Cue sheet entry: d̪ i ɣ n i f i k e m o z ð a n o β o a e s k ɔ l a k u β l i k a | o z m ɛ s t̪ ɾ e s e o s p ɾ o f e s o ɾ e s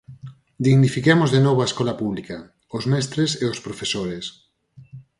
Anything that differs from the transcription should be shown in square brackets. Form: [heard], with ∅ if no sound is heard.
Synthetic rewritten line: d̪ i ɣ n i f i k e m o z ð [e] n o β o a e s k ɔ l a [p] u β l i k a | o z m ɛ s t̪ ɾ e s e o s p ɾ o f e s o ɾ e s